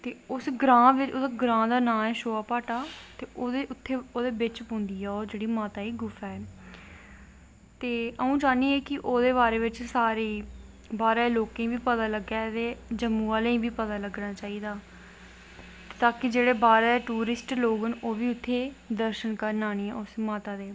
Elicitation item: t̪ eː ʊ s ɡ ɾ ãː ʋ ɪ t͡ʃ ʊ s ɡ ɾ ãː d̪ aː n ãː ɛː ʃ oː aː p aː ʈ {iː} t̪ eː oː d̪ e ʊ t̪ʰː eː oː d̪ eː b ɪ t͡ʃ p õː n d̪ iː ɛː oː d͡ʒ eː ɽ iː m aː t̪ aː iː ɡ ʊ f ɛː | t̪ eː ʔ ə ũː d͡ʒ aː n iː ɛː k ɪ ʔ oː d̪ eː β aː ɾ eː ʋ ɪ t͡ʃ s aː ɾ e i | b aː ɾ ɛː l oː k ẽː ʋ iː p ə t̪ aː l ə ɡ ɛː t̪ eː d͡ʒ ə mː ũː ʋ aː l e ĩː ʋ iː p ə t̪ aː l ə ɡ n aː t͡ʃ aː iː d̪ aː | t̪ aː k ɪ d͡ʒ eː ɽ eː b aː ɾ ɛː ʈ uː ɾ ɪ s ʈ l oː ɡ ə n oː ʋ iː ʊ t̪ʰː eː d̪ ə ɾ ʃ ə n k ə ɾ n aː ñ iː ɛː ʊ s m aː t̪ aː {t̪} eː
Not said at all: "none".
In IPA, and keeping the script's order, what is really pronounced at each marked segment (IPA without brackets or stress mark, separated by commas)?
aː, d̪